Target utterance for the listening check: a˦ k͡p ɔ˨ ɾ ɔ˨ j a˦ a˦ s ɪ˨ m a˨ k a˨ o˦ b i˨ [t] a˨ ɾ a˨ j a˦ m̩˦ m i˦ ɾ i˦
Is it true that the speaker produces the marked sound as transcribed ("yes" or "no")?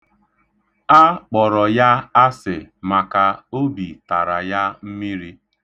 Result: yes